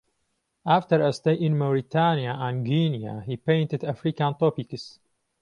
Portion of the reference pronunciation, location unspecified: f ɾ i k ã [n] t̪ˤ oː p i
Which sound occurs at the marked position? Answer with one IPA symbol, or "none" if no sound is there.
n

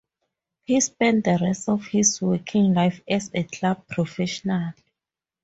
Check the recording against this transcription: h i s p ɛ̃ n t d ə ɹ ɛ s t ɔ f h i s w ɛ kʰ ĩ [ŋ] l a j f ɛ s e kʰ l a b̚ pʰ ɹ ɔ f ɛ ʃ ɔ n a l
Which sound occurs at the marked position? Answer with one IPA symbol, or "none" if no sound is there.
ŋ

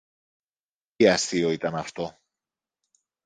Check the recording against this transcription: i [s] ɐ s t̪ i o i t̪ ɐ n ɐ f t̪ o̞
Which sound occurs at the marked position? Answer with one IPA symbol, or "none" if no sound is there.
none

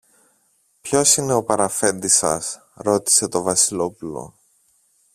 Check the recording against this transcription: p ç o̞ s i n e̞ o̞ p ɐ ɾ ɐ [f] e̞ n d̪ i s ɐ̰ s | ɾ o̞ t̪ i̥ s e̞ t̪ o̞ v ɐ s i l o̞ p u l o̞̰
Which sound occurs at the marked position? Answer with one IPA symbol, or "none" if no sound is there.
f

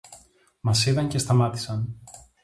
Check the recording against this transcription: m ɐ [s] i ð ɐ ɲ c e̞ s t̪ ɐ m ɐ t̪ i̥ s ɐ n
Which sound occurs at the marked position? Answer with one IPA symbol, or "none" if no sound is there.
s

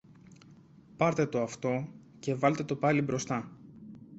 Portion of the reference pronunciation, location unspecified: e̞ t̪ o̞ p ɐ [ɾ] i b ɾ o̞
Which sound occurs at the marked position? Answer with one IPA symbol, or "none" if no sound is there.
l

